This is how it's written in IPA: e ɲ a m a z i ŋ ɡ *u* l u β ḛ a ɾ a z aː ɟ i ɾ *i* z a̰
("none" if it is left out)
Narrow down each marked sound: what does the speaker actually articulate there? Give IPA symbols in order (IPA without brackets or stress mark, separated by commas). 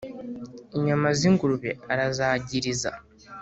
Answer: u, i